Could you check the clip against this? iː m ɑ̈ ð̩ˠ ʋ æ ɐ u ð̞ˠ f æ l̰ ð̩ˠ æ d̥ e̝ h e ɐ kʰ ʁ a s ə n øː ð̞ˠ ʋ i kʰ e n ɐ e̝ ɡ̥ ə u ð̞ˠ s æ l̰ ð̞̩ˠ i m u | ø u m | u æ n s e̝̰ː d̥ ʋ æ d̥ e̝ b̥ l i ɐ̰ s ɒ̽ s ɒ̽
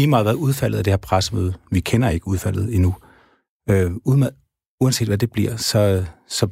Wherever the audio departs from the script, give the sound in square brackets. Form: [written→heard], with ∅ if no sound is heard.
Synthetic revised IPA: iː m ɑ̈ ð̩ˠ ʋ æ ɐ u ð̞ˠ f æ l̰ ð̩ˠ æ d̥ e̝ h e ɐ [kʰ→pʰ] ʁ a s ə [n→m] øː ð̞ˠ ʋ i kʰ e n ɐ e̝ ɡ̥ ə u ð̞ˠ [s→f] æ l̰ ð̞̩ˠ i [m→n] u | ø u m | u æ n s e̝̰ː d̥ ʋ æ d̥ e̝ b̥ l i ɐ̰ s ɒ̽ s ɒ̽